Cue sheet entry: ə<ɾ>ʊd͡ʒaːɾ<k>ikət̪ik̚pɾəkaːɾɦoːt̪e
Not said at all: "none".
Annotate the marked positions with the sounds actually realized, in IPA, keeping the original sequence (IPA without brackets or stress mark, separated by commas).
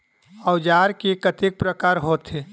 none, k